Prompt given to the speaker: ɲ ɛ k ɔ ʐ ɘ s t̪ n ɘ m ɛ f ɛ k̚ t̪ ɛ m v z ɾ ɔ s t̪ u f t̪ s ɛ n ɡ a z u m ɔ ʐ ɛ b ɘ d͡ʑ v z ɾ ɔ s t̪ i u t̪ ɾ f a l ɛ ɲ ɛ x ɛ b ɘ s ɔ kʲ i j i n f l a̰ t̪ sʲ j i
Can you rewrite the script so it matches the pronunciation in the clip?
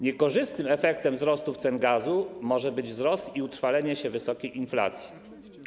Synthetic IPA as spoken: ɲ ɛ k ɔ ʐ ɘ s t̪ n ɘ m ɛ f ɛ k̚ t̪ ɛ m v z ɾ ɔ s t̪ u f t̪ s ɛ n ɡ a z u m ɔ ʐ ɛ b ɘ d͡ʑ v z ɾ ɔ s t̪ i u t̪ ɾ f a l ɛ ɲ ɛ ɕ ɛ v ɘ s ɔ kʲ e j i n f l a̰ t̪ sʲ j i